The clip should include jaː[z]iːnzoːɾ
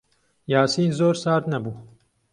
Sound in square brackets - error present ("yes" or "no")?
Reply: yes